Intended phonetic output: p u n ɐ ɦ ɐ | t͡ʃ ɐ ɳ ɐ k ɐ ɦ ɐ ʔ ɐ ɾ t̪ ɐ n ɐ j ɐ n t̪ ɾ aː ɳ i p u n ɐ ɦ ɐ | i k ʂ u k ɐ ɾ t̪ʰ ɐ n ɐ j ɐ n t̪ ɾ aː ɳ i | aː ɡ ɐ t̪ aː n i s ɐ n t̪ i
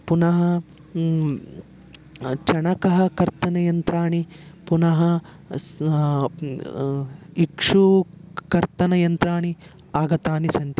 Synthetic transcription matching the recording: p u n ɐ ɦ ɐ | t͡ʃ ɐ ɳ ɐ k ɐ ɦ ɐ k ɐ ɾ t̪ ɐ n ɐ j ɐ n t̪ ɾ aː ɳ i p u n ɐ ɦ ɐ | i k ʂ u k ɐ ɾ t̪ ɐ n ɐ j ɐ n t̪ ɾ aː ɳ i | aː ɡ ɐ t̪ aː n i s ɐ n t̪ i

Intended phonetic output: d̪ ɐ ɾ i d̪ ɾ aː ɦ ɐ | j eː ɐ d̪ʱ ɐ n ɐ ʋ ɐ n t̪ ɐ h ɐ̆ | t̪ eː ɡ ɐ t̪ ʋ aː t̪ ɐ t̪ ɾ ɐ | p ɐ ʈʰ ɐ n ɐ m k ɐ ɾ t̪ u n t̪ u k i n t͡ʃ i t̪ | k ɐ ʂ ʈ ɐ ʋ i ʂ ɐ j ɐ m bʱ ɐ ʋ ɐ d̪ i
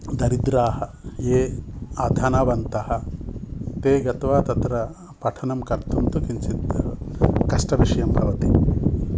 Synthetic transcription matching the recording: d̪ ɐ ɾ i d̪ ɾ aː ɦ ɐ | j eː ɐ d̪ʱ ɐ n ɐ ʋ ɐ n t̪ ɐ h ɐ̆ | t̪ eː ɡ ɐ t̪ ʋ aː t̪ ɐ t̪ ɾ ɐ | p ɐ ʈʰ ɐ n ɐ m k ɐ ɾ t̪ u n t̪ u k i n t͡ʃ i t̪ | k ɐ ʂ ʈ ɐ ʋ i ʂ ɐ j ɐ m bʱ ɐ ʋ ɐ t̪ i

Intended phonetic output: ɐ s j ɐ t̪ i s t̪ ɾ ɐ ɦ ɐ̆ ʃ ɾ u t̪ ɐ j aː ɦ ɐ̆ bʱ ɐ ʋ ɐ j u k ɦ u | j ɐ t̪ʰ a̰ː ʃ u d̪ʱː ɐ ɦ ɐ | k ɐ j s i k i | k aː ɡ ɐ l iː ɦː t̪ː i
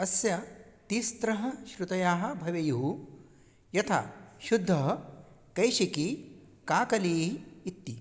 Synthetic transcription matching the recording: ɐ s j ɐ t̪ i s t̪ ɾ ɐ ɦ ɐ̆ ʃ ɾ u t̪ ɐ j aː ɦ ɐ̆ bʱ ɐ ʋ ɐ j u ɦ u | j ɐ t̪ʰ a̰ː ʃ u d̪ʱː ɐ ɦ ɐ | k ɐ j ʃ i k i | k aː k ɐ l iː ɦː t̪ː i

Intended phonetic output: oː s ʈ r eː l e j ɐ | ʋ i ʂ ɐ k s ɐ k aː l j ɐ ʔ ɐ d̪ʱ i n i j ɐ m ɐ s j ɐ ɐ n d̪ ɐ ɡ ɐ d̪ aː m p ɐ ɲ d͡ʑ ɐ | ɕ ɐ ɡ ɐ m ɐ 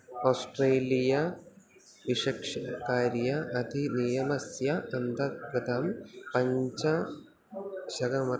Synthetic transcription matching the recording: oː s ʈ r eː l i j ɐ | ʋ i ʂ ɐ k ʂ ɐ k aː ɾ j ɐ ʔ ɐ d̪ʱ i n i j ɐ m ɐ s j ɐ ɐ n d̪ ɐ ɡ ɐ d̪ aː m p ɐ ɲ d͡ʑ ɐ | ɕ ɐ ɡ ɐ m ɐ

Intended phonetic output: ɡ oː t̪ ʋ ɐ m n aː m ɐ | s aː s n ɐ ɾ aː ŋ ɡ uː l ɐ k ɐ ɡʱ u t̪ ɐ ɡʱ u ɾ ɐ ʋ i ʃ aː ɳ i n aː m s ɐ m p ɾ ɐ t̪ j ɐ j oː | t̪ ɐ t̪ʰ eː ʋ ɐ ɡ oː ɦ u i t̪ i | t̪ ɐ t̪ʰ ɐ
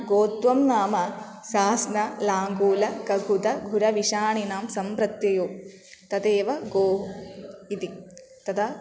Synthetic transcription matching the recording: ɡ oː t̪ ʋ ɐ m n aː m ɐ | s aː s n ɐ l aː ŋ ɡ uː l ɐ k ɐ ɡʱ u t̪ ɐ ɡʱ u ɾ ɐ ʋ i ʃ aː ɳ i n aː m s ɐ m p ɾ ɐ t̪ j ɐ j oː | t̪ ɐ t̪ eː ʋ ɐ ɡ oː ɦ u i t̪ i | t̪ ɐ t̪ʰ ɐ

